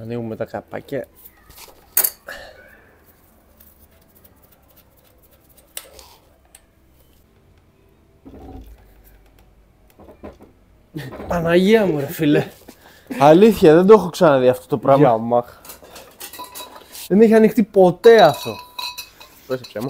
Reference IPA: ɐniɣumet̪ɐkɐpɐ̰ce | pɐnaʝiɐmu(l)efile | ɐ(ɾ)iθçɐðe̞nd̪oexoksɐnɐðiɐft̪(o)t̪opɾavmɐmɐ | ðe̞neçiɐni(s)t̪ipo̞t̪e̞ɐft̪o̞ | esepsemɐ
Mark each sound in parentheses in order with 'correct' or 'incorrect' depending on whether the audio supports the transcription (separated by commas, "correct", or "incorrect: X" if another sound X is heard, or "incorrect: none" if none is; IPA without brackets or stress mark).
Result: incorrect: ɾ, incorrect: l, correct, incorrect: x